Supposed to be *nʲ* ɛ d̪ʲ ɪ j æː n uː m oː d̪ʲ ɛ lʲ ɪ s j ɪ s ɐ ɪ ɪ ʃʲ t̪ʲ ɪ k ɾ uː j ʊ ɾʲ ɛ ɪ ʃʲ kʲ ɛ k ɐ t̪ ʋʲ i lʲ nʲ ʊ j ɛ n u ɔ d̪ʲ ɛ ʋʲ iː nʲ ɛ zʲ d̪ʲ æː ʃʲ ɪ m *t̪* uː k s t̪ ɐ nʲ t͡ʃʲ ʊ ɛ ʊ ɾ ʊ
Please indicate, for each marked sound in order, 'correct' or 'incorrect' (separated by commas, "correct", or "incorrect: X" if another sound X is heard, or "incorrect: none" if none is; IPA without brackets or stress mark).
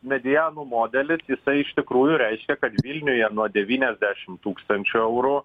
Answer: incorrect: mʲ, correct